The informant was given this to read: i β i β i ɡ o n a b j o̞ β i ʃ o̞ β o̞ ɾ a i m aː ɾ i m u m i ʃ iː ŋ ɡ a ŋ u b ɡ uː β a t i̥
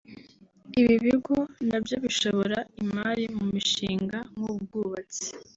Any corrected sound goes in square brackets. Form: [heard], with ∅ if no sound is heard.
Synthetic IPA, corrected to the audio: i β i β i ɡ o n a b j o̞ β i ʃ o̞ β o̞ ɾ a i m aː ɾ i m u m i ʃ iː ŋ ɡ a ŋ u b ɡ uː β a [t͡s] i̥